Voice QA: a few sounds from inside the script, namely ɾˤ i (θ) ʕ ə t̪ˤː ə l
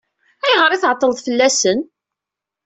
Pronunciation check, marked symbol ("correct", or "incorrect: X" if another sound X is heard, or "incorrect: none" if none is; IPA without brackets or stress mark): correct